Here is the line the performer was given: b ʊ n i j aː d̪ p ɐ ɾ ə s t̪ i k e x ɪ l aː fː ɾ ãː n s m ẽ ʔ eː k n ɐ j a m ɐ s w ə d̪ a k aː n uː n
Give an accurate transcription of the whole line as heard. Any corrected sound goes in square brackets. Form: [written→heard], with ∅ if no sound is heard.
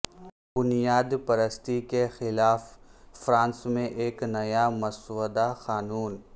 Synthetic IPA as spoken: b ʊ n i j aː d̪ p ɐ ɾ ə s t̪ i k e x ɪ l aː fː ɾ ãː n s m ẽ ʔ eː k n ɐ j a m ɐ s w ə d̪ a [k→x] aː n uː n